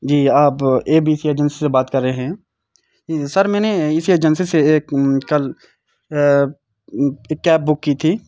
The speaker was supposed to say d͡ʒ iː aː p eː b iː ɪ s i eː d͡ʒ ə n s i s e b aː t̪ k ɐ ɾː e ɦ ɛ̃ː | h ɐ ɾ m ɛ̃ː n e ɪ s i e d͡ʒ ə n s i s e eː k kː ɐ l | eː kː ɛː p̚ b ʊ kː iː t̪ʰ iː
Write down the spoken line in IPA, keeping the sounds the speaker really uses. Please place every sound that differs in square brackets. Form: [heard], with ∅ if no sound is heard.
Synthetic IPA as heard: d͡ʒ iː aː p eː b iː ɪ s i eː d͡ʒ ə n s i s e b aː t̪ k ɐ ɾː e ɦ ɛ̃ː | [s] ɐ ɾ m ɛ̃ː n e ɪ s i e d͡ʒ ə n s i s e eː k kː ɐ l | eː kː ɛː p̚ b ʊ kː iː t̪ʰ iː

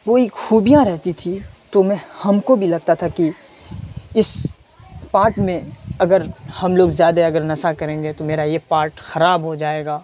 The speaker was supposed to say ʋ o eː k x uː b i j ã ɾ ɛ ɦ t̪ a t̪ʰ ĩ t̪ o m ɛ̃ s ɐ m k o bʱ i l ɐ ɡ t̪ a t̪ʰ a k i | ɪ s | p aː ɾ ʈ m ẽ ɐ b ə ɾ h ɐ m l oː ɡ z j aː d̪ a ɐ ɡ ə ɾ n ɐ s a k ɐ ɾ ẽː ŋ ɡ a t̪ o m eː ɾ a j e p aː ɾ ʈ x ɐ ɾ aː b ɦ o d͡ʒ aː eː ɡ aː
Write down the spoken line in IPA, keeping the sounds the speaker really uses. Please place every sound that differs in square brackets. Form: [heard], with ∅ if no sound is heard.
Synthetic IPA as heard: ʋ o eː k x uː b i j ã ɾ ɛ ɦ t̪ [i] t̪ʰ [i] t̪ o m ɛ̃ [h] ɐ m k o bʱ i l ɐ ɡ t̪ a t̪ʰ a k i | ɪ s | p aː ɾ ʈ m ẽ ɐ [ɡ] ə ɾ h ɐ m l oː ɡ z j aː d̪ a ɐ ɡ ə ɾ n ɐ s a k ɐ ɾ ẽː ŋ ɡ [e] t̪ o m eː ɾ a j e p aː ɾ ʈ x ɐ ɾ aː b ɦ o d͡ʒ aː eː ɡ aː

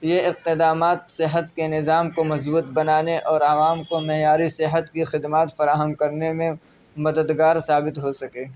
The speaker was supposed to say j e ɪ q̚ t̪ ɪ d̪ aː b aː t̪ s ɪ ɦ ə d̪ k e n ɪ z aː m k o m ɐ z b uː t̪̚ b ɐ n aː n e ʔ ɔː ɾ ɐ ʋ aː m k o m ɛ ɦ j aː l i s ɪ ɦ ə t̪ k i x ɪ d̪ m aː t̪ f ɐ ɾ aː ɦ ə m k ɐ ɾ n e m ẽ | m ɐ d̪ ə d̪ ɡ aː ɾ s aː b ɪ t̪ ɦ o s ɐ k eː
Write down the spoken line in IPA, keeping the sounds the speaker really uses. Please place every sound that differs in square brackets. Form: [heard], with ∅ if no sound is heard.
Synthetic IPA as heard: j e ɪ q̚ t̪ ɪ d̪ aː [m] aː t̪ s ɪ ɦ ə [t̪] k e n ɪ z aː m k o m ɐ z b uː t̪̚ b ɐ n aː n e ʔ ɔː ɾ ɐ ʋ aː m k o m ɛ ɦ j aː [ɾ] i s ɪ ɦ ə t̪ k i x ɪ d̪ m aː t̪ f ɐ ɾ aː ɦ ə m k ɐ ɾ n e m ẽ | m ɐ d̪ ə d̪ ɡ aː ɾ s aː b ɪ t̪ ɦ o s ɐ k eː

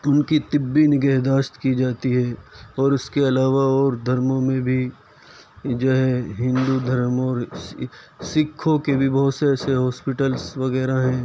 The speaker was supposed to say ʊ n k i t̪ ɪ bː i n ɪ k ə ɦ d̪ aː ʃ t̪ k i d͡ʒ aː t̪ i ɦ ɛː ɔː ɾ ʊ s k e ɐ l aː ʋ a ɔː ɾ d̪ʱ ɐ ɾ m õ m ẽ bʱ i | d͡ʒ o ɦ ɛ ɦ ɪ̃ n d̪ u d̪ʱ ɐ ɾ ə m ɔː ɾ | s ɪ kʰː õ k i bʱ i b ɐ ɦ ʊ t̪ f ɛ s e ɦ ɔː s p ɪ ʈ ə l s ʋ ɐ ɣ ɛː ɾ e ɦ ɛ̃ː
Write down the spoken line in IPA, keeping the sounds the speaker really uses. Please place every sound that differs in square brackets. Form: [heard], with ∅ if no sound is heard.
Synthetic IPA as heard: ʊ n k i t̪ ɪ bː i n ɪ [ɡ] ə ɦ d̪ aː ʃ t̪ k i d͡ʒ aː t̪ i ɦ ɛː ɔː ɾ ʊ s k e ɐ l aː ʋ a ɔː ɾ d̪ʱ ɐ ɾ m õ m ẽ bʱ i | d͡ʒ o ɦ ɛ ɦ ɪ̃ n d̪ u d̪ʱ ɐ ɾ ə m ɔː ɾ | s ɪ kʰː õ k [e] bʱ i b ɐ ɦ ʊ t̪ [s] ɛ s e ɦ ɔː s p ɪ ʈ ə l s ʋ ɐ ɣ ɛː ɾ [a] ɦ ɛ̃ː

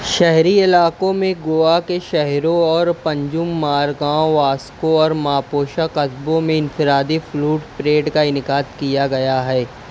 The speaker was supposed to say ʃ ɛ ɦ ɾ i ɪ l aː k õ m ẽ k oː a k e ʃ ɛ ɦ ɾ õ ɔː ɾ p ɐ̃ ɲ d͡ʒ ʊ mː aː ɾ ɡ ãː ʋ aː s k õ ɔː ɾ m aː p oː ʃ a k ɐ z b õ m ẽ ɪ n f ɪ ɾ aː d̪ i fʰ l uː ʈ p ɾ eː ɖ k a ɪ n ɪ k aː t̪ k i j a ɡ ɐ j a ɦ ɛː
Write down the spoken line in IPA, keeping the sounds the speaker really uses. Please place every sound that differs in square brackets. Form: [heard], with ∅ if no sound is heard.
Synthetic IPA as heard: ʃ ɛ ɦ ɾ i ɪ l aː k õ m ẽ [ɡ] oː a k e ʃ ɛ ɦ ɾ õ ɔː ɾ p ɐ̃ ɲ d͡ʒ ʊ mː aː ɾ ɡ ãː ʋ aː s k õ ɔː ɾ m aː p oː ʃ a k ɐ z b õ m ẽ ɪ n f ɪ ɾ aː d̪ i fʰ l uː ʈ p ɾ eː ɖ k a ɪ n ɪ k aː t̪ k i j a ɡ ɐ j a ɦ ɛː

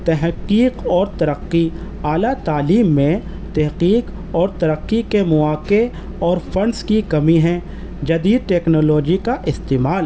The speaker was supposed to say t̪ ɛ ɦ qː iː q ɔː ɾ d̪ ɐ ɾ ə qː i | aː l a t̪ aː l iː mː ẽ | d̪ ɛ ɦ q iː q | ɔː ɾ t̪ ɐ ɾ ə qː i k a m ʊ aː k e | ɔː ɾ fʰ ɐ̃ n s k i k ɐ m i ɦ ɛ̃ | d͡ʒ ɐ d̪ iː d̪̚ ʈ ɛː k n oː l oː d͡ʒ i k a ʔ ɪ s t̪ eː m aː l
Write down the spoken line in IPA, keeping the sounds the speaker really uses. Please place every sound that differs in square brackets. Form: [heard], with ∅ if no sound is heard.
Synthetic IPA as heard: t̪ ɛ ɦ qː iː q ɔː ɾ [t̪] ɐ ɾ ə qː i | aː l a t̪ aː l iː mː ẽ | [t̪] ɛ ɦ q iː q | ɔː ɾ t̪ ɐ ɾ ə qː i k [e] m ʊ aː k e | ɔː ɾ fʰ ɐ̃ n s k i k ɐ m i ɦ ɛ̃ | d͡ʒ ɐ d̪ iː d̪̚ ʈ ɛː k n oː l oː d͡ʒ i k a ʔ ɪ s t̪ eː m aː l

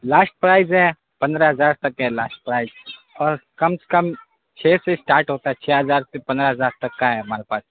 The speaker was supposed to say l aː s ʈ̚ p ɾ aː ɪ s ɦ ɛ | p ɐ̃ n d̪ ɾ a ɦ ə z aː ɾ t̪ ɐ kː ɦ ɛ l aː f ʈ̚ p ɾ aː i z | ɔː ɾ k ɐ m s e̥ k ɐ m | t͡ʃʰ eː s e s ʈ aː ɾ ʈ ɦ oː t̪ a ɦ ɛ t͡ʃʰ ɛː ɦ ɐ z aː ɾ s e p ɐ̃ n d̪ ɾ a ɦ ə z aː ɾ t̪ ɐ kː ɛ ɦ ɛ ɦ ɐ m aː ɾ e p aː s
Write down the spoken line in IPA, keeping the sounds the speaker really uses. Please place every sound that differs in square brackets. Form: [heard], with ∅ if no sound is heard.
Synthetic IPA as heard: l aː s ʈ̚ p ɾ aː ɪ [z] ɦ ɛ | p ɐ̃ n d̪ ɾ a ɦ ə z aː ɾ t̪ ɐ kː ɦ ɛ l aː [s] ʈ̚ p ɾ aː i z | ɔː ɾ k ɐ m s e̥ k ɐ m | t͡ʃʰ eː s e s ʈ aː ɾ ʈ ɦ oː t̪ a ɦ ɛ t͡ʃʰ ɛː ɦ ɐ z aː ɾ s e p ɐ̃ n d̪ ɾ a ɦ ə z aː ɾ t̪ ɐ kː [a] ɦ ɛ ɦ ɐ m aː ɾ e p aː s

